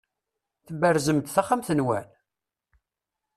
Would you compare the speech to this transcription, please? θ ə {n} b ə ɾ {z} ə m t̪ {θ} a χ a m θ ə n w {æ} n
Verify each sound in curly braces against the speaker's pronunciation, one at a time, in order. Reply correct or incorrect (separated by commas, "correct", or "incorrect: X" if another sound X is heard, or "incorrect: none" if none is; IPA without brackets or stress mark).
incorrect: none, correct, correct, correct